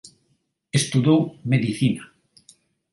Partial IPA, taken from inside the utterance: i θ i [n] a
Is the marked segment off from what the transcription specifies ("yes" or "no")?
no